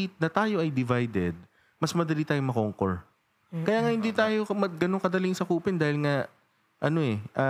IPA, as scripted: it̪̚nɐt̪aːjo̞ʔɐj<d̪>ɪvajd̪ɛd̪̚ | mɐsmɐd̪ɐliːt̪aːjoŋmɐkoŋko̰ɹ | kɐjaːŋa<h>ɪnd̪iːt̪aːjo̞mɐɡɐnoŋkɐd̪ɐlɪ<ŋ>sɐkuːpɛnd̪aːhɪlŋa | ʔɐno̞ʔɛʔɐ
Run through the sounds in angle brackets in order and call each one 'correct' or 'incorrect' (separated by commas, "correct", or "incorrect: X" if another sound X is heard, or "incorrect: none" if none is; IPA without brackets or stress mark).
correct, correct, correct